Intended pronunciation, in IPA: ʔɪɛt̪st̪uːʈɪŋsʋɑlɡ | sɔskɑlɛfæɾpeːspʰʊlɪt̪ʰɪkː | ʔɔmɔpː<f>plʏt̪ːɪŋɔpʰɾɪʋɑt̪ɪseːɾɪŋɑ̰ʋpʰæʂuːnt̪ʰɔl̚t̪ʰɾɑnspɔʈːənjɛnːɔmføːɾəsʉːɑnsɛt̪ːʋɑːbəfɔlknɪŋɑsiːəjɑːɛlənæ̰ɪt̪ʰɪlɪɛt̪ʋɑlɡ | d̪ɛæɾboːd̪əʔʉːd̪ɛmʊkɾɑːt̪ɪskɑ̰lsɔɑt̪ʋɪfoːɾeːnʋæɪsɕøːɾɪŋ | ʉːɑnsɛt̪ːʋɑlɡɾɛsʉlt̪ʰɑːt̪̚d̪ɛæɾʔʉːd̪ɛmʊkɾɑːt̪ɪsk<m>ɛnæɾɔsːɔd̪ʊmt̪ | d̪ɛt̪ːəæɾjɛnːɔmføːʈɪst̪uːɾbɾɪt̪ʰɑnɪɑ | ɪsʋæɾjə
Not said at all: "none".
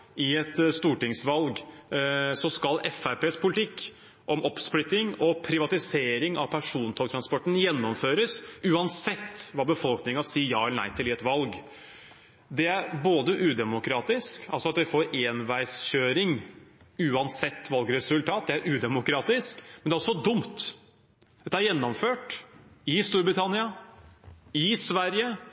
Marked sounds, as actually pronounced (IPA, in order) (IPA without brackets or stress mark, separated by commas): s, m